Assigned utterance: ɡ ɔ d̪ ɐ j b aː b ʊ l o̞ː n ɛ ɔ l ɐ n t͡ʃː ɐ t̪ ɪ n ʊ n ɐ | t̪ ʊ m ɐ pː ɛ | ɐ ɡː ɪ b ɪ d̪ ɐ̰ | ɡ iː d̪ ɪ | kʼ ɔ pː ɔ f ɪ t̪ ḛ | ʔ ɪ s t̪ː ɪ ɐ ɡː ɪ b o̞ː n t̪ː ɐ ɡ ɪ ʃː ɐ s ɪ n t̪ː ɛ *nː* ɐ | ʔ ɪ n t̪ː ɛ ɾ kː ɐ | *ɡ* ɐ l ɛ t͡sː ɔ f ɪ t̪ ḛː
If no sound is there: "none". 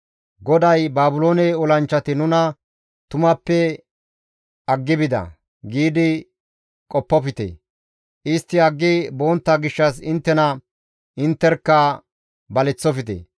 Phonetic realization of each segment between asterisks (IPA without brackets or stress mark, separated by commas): n, b